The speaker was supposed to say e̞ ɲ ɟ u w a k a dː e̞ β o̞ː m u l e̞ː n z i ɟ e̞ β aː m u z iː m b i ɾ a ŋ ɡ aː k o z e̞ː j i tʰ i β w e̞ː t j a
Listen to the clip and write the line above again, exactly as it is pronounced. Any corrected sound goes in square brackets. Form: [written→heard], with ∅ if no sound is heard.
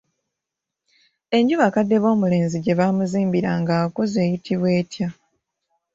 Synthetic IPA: e̞ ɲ ɟ u [w→β] a k a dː e̞ β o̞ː m u l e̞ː n z i ɟ e̞ β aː m u z iː m b i ɾ a ŋ ɡ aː k o z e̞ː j i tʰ i β w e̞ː t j a